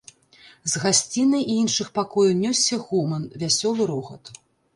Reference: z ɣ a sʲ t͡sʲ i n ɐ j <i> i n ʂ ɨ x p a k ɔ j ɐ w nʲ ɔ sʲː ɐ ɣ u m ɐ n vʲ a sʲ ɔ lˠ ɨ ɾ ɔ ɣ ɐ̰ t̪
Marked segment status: correct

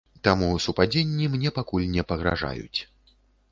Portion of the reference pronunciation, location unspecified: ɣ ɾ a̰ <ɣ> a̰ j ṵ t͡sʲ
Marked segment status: incorrect: ʐ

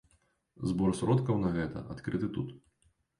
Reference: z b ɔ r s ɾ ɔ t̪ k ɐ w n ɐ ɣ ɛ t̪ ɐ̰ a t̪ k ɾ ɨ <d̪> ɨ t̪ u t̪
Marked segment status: incorrect: t̪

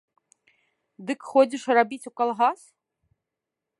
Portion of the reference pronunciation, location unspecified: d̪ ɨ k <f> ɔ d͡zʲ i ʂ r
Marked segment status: incorrect: x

